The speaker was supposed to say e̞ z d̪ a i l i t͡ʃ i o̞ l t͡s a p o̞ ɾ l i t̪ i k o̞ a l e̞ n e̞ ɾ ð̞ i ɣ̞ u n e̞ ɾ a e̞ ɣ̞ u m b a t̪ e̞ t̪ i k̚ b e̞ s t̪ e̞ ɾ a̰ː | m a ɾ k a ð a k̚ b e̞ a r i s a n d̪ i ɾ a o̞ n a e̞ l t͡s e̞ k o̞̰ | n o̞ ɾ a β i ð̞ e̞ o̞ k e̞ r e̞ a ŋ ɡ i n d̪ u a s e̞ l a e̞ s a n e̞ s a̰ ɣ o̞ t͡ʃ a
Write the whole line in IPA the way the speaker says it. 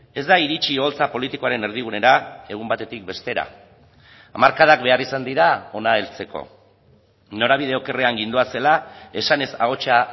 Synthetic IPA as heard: e̞ z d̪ a i ɾ i t͡ʃ i o̞ l t͡s a p o̞ l i t̪ i k o̞ a ɾ e̞ n e̞ ɾ ð̞ i ɣ̞ u n e̞ ɾ a e̞ ɣ̞ u m b a t̪ e̞ t̪ i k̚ b e̞ s t̪ e̞ ɾ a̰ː | m a ɾ k a ð a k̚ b e̞ a r i s a n d̪ i ɾ a o̞ n a e̞ l t͡s e̞ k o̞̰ | n o̞ ɾ a β i ð̞ e̞ o̞ k e̞ r e̞ a ŋ ɡ i n d̪ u a s e̞ l a e̞ s a n e̞ s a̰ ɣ o̞ t͡ʃ a